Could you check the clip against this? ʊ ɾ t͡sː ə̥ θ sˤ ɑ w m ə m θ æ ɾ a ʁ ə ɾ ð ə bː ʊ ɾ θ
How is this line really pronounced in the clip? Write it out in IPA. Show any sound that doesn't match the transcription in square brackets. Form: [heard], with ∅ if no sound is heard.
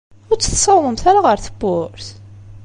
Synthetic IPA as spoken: ʊ ɾ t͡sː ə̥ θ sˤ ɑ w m ə m θ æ ɾ a ʁ ə ɾ [θ] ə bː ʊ ɾ θ